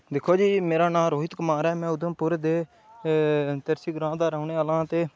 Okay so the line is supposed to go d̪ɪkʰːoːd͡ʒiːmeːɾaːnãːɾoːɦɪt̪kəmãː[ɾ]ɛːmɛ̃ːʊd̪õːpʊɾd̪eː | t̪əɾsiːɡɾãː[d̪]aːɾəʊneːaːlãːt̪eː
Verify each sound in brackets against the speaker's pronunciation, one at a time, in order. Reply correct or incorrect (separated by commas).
correct, correct